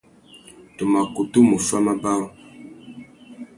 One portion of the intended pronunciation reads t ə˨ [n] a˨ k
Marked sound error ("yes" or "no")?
yes